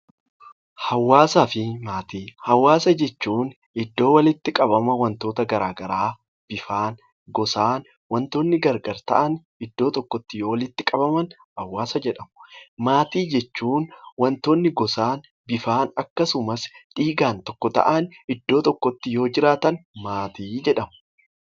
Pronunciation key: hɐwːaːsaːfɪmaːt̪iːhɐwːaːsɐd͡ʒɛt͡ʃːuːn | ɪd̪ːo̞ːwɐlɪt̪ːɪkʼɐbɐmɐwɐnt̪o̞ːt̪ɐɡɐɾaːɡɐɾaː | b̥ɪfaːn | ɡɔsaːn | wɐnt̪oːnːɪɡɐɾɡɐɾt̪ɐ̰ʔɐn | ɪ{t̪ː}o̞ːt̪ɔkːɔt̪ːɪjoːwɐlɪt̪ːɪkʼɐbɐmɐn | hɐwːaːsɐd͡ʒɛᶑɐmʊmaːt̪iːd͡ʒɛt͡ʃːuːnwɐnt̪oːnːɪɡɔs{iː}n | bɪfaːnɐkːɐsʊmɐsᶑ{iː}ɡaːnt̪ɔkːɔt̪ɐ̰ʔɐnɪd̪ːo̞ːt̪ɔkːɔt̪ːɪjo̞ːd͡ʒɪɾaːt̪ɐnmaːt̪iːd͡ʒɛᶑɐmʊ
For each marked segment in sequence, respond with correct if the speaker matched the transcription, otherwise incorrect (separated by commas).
incorrect, incorrect, correct